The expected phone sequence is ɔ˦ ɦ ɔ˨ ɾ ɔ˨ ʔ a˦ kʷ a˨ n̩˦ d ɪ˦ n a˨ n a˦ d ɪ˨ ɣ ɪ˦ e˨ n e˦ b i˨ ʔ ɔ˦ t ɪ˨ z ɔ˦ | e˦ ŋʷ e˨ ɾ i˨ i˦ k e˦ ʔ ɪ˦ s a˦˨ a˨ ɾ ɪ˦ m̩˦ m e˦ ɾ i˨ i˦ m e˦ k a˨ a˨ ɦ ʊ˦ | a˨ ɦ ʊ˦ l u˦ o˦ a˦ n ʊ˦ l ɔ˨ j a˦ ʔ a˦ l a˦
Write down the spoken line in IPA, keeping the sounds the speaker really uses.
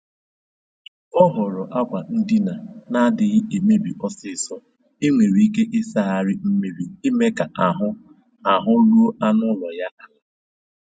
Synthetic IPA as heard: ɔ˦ ɦ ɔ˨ ɾ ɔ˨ ʔ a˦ kʷ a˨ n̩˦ d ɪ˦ n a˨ n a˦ d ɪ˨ ɣ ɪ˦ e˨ m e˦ b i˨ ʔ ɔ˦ s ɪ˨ s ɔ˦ | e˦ ŋʷ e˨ ɾ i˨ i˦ k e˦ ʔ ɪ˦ s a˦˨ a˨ ɾ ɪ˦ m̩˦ m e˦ ɾ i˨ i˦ m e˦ k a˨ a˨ ɦ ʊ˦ | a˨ ɦ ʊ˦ l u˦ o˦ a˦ n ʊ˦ l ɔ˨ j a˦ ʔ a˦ l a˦